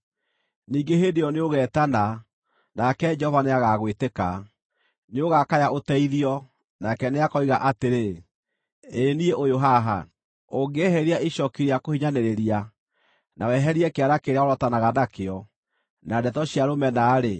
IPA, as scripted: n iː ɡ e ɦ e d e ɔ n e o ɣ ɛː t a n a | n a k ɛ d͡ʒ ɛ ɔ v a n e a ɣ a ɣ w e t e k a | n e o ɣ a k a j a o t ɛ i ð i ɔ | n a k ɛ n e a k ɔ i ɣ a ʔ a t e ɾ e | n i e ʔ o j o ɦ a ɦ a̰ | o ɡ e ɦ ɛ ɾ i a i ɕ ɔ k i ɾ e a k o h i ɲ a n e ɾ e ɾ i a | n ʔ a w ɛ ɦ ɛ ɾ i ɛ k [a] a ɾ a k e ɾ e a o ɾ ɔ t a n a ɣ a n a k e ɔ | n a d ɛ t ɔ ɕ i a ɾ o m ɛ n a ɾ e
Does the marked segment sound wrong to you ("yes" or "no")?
yes